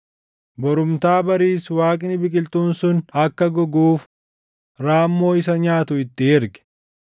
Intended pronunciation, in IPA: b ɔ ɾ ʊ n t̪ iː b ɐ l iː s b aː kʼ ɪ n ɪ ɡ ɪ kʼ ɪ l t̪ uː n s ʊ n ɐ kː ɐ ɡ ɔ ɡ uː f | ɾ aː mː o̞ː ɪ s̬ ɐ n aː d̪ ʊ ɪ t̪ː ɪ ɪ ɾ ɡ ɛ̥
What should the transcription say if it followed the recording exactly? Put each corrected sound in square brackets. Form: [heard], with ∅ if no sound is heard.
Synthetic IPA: b ɔ ɾ ʊ [m] t̪ [aː] b ɐ [ɾ] iː s [w] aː kʼ ɪ n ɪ [b] ɪ kʼ ɪ l t̪ uː n s ʊ n ɐ kː ɐ ɡ ɔ ɡ uː f | ɾ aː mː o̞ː ɪ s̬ ɐ [ɲ] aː [t̪] ʊ ɪ t̪ː ɪ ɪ ɾ ɡ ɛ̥